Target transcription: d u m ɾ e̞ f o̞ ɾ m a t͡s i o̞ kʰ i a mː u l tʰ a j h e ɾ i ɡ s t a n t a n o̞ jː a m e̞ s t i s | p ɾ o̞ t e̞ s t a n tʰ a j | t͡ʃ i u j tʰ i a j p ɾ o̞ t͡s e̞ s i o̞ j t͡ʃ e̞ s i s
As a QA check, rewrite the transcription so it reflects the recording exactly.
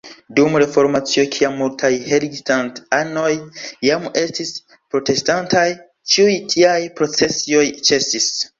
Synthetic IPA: d u m ɾ e̞ f o̞ ɾ m a t͡s i o̞ kʰ i a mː u l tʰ a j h e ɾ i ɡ s t a n t a n o̞ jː a m e̞ s t i s | p ɾ o̞ t e̞ s t a n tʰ a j | t͡ʃ i u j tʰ i a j p ɾ o̞ t͡s e̞ s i o̞ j t͡ʃ e̞ s i s